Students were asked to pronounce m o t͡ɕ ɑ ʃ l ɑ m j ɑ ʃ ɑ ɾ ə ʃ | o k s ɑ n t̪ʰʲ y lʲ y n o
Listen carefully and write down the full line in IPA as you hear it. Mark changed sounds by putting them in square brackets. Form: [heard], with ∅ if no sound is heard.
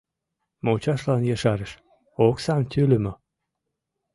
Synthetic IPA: m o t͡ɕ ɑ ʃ l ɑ [n] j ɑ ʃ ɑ ɾ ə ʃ | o k s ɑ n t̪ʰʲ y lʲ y [m] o